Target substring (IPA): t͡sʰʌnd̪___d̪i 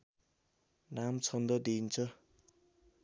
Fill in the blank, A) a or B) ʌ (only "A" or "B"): B